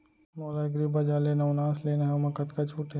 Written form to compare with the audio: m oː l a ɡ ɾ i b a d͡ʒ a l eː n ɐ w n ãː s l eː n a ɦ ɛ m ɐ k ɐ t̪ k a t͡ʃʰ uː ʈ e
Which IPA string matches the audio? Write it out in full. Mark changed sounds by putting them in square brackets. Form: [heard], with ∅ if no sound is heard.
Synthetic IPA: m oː l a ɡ ɾ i b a d͡ʒ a l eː n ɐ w n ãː s l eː n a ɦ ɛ m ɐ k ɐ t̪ k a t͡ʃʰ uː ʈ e